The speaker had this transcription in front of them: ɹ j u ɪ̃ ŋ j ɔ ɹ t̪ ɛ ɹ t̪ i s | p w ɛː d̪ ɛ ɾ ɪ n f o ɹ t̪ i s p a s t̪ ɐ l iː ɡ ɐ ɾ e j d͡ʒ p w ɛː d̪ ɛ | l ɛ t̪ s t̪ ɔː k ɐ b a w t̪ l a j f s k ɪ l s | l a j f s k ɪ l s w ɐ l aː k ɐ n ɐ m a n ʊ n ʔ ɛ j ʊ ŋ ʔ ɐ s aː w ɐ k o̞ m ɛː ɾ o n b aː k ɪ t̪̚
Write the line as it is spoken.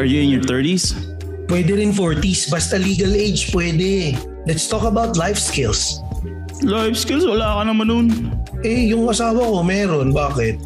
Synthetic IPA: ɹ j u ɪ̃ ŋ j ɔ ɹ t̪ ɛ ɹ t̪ i s | p w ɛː d̪ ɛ ɾ ɪ n f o ɹ t̪ i s b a s t̪ ɐ l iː ɡ ɐ l e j d͡ʒ p w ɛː d̪ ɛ | l ɛ t̪ s t̪ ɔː k ɐ b a w t̪ l a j f s k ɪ l s | l a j f s k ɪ l s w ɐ l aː k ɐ n ɐ m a n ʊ n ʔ ɛ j ʊ ŋ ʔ ɐ s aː w ɐ k o̞ m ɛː ɾ o n b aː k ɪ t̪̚